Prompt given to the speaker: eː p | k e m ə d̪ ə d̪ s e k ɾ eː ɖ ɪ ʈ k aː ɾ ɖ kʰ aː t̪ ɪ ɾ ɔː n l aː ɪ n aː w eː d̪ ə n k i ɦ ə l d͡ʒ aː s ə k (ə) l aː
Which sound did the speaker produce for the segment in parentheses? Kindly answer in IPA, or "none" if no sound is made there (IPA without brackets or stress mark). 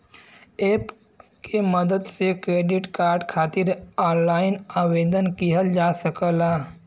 ə